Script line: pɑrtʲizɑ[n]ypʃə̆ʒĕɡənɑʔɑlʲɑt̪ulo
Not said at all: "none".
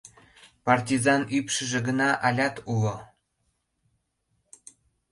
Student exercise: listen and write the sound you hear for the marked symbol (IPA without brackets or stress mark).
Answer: n